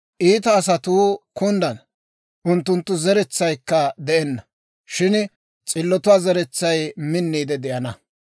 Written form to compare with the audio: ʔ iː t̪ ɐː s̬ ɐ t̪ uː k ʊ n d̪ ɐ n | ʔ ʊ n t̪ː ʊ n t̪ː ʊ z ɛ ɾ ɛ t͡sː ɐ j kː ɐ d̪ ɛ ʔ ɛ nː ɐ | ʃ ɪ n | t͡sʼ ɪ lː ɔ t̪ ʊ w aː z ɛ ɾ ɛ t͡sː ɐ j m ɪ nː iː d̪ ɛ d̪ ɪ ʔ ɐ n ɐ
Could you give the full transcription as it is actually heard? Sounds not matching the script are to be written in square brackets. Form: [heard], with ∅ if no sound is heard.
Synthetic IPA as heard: ʔ iː t̪ ɐː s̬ ɐ t̪ uː k ʊ n d̪ ɐ n | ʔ ʊ n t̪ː ʊ n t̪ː ʊ z ɛ ɾ ɛ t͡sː ɐ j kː ɐ d̪ ɛ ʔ ɛ nː ɐ | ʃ ɪ n | t͡sʼ ɪ lː ɔ t̪ ʊ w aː z ɛ ɾ ɛ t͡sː ɐ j m ɪ nː iː d̪ ɛ d̪ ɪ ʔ ɐ n ɐ